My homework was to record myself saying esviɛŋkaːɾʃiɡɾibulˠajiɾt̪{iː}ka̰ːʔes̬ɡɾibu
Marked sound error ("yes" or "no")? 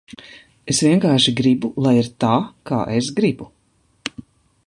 yes